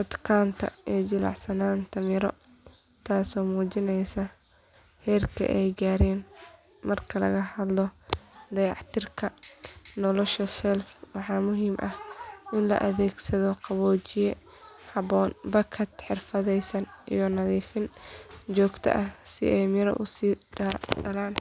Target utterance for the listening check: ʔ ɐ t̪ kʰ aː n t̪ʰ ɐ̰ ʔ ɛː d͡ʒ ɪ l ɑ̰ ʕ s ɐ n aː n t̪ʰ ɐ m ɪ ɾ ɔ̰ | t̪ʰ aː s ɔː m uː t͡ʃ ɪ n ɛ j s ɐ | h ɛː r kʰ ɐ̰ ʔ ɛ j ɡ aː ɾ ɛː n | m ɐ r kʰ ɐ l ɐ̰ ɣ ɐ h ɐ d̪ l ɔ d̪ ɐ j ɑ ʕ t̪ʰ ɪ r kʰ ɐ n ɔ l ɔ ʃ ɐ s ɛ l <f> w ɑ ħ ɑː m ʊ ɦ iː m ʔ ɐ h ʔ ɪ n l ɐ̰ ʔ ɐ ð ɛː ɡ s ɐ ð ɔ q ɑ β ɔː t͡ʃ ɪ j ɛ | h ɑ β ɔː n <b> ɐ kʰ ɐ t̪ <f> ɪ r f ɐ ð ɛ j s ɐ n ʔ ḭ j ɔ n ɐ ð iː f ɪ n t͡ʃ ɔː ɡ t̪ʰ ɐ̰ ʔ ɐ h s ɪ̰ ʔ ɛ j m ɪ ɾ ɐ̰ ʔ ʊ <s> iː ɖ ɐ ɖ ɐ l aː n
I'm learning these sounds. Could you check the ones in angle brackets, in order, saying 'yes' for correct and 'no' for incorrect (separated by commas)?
yes, yes, no, yes